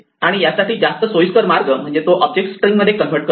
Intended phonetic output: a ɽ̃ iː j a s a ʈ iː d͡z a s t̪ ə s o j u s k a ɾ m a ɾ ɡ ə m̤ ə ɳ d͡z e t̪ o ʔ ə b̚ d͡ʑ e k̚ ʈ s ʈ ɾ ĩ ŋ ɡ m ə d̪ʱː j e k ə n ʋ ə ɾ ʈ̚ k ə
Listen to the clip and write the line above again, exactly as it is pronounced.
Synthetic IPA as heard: a ɽ̃ i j a s a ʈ iː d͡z a s t̪ ə s o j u s k ə ɾ m a ɾ ɡ ə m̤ ə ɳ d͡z e t̪ o ʔ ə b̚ d͡ʑ e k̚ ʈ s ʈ ɾ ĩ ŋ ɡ m ə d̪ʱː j e k ə n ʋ ə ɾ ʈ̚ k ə